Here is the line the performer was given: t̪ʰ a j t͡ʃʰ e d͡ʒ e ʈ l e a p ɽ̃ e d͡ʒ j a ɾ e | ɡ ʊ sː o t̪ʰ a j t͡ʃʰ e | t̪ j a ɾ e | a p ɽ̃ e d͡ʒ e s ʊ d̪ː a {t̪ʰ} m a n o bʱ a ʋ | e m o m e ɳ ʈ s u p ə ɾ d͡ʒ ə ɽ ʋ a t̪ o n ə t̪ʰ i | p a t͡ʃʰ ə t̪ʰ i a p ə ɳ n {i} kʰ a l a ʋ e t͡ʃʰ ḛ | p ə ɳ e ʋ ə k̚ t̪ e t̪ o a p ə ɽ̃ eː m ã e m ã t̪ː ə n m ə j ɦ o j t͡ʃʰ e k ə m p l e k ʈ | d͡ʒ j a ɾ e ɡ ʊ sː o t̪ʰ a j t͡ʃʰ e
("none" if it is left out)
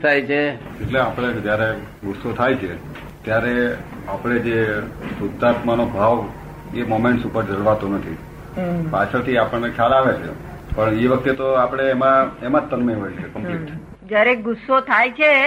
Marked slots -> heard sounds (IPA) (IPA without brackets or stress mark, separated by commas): t̪, e